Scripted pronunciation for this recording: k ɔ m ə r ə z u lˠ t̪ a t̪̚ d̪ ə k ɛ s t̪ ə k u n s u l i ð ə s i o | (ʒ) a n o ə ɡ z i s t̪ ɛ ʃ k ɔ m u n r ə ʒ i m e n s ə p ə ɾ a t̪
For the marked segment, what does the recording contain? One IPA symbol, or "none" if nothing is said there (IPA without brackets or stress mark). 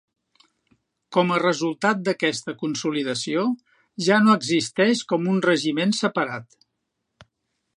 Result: ʒ